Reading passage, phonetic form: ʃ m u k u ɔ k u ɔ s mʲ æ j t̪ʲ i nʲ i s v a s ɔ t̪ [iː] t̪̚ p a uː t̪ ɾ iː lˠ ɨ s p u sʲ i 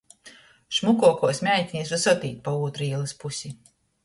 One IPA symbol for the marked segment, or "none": iː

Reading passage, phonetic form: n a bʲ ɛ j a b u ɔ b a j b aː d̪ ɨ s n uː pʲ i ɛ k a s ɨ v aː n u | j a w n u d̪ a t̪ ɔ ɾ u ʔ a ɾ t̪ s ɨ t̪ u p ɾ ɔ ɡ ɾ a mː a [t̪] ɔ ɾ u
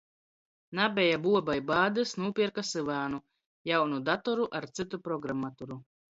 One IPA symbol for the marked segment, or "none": t̪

